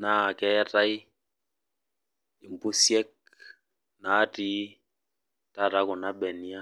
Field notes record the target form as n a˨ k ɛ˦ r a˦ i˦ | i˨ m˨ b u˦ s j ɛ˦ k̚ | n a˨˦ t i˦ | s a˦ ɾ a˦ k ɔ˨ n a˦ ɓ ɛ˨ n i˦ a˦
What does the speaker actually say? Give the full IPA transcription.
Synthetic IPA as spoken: n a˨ k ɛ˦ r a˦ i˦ | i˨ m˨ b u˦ s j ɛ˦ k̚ | n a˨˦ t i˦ | t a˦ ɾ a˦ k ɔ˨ n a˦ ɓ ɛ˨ n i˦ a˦